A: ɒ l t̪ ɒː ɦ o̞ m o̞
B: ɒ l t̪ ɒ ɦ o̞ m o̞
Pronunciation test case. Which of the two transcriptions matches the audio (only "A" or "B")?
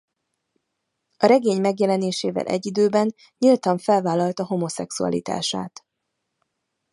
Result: B